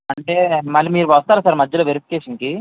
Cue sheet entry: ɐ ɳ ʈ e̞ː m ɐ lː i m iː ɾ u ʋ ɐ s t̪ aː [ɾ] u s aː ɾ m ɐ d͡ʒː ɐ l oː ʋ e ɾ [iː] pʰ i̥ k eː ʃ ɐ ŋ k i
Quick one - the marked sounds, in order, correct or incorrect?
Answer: correct, incorrect

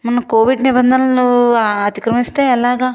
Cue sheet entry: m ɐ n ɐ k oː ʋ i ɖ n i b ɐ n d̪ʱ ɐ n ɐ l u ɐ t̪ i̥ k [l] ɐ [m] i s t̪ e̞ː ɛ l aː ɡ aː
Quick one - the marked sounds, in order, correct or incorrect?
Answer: incorrect, correct

